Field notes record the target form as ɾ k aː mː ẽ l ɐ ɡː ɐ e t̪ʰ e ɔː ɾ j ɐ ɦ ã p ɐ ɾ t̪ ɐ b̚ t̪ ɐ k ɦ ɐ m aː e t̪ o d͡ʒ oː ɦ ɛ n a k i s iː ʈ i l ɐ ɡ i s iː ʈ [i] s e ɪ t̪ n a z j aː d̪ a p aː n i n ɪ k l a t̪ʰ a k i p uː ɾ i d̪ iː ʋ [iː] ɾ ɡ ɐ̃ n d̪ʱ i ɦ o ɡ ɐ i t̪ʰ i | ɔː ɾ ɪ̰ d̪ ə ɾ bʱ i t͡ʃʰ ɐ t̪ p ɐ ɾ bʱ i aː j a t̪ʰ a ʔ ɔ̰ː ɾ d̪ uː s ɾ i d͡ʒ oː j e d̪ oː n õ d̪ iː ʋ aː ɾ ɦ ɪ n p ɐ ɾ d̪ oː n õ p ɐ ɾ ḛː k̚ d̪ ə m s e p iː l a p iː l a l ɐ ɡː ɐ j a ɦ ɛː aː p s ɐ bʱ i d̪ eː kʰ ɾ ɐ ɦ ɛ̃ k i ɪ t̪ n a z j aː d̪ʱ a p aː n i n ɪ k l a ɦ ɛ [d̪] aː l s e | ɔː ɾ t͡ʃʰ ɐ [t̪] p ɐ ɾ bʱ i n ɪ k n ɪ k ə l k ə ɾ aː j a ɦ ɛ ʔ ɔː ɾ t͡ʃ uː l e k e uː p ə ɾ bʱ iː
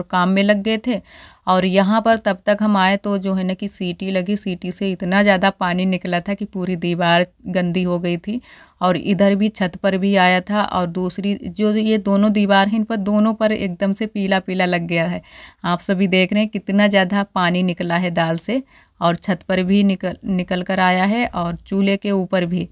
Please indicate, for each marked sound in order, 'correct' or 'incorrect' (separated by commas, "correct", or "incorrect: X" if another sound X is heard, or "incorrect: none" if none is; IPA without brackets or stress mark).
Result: correct, incorrect: aː, correct, correct